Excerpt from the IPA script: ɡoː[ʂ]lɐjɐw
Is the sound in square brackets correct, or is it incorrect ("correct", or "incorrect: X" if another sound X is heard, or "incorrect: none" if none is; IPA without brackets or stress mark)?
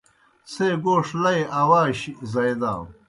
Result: correct